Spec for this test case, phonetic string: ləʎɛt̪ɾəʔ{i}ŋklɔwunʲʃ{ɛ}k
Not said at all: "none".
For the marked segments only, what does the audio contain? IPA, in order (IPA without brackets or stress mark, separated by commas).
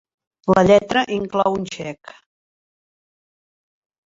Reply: i, ɛ